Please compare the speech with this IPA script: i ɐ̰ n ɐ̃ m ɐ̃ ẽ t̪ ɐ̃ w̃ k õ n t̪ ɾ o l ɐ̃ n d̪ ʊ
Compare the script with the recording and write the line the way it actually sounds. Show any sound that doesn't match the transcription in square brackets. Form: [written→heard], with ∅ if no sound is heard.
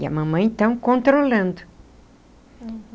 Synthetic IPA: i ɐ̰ [n→m] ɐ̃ m ɐ̃ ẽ t̪ ɐ̃ w̃ k õ n t̪ ɾ o l ɐ̃ n d̪ ʊ